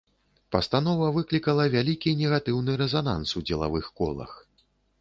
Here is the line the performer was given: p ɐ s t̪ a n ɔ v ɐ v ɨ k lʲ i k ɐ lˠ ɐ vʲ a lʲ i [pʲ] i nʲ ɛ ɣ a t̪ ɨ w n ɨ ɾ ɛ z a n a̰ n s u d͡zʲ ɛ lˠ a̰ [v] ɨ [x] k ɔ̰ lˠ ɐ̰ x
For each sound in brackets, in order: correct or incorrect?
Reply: incorrect, correct, correct

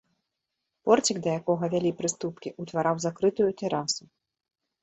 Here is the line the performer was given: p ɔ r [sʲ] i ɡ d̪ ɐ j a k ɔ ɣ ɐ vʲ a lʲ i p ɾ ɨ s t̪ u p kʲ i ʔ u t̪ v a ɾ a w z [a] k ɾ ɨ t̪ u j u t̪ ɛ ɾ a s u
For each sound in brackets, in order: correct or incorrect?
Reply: incorrect, correct

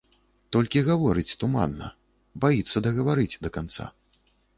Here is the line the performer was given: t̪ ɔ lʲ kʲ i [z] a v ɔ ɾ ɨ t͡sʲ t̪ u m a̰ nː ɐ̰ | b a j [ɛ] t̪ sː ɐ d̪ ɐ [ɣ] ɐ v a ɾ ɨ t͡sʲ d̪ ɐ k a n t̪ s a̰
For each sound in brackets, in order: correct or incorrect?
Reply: incorrect, incorrect, correct

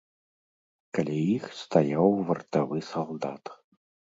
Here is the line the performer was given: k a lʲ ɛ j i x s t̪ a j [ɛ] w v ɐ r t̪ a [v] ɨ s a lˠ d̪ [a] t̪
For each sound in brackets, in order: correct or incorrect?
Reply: incorrect, correct, correct

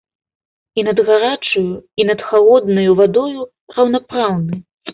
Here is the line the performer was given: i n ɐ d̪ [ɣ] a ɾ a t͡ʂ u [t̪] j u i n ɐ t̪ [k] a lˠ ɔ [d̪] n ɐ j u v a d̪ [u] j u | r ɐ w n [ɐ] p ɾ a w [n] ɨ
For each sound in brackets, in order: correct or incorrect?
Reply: correct, incorrect, incorrect, correct, incorrect, incorrect, correct

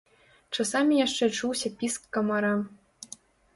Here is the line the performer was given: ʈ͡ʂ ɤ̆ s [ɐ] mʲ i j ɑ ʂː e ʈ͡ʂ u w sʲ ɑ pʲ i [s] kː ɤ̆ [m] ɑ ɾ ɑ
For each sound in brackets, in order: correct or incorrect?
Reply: incorrect, correct, correct

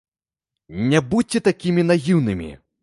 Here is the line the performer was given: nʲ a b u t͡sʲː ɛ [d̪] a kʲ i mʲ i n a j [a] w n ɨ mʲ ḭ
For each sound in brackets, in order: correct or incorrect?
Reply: incorrect, incorrect

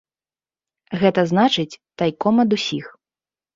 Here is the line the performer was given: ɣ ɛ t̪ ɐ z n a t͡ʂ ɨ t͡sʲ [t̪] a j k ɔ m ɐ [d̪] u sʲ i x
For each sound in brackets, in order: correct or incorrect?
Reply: correct, correct

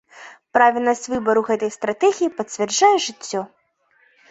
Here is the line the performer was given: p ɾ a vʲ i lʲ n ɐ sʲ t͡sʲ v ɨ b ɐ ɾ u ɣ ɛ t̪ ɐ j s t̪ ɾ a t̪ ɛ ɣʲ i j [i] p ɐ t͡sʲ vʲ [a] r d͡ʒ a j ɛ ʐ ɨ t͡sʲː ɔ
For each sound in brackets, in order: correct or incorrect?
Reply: correct, incorrect

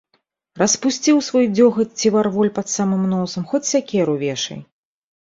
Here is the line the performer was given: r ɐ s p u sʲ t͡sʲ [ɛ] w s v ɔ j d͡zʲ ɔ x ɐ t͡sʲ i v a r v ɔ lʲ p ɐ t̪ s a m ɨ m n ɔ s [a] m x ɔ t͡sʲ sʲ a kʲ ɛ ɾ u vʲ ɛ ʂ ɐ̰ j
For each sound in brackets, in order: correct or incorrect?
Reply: incorrect, incorrect

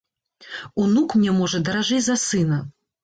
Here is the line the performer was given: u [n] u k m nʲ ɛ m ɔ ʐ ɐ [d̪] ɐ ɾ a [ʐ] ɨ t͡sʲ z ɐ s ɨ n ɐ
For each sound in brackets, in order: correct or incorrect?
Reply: correct, correct, correct

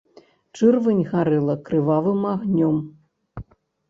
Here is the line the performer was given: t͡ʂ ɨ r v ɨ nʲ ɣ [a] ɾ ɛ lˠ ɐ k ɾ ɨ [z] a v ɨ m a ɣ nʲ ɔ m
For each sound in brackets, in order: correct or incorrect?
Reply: correct, incorrect

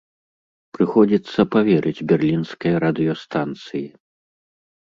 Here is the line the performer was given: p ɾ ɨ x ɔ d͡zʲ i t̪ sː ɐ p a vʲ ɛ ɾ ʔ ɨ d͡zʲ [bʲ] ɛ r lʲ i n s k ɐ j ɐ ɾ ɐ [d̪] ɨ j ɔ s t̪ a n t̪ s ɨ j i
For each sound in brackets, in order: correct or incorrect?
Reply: correct, correct

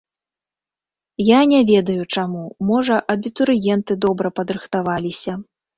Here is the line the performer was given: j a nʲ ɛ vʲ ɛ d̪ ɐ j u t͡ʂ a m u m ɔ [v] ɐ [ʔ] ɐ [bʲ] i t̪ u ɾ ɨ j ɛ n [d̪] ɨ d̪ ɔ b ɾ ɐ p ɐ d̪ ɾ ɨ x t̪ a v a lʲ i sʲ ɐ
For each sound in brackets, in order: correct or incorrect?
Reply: incorrect, correct, correct, incorrect

